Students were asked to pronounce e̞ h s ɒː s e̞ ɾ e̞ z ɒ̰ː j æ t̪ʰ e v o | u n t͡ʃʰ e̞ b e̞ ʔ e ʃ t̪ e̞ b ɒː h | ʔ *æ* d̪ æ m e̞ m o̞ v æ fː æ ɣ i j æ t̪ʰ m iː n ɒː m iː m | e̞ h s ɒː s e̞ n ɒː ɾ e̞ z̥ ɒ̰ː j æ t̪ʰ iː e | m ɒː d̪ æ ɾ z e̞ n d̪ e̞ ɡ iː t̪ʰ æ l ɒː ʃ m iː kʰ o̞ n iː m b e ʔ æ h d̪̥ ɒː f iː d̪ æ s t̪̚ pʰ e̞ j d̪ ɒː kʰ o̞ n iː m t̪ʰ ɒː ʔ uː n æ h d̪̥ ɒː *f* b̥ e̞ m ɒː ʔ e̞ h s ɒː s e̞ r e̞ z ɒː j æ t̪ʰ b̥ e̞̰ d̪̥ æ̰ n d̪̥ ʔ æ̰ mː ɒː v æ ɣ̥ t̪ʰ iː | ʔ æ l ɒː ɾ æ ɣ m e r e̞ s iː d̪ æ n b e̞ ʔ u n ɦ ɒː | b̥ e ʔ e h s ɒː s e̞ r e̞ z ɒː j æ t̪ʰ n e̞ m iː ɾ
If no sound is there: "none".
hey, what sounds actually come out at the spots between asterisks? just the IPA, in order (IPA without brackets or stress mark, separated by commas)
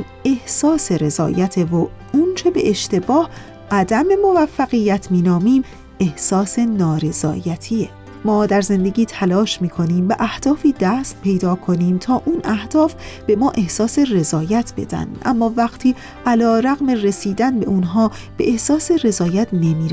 æ, f